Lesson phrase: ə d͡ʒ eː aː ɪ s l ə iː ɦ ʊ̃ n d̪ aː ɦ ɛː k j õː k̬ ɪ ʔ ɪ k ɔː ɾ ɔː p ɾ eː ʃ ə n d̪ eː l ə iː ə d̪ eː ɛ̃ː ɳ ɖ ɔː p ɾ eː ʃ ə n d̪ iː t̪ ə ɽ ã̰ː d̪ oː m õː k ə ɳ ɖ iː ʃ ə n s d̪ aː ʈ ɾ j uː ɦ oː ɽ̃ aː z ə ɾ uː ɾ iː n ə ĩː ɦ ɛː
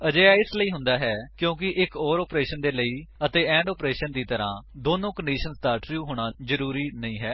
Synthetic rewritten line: ə d͡ʒ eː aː ɪ s l ə iː ɦ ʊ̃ n d̪ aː ɦ ɛː k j õː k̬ ɪ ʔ ɪ k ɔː ɾ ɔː p ɾ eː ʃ ə n d̪ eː l ə iː ə t̪ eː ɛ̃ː ɳ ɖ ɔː p ɾ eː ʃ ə n d̪ iː t̪ ə ɾ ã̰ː d̪ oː n õː k ə ɳ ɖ iː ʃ ə n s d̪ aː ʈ ɾ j uː ɦ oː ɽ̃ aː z ə ɾ uː ɾ iː n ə ĩː ɦ ɛː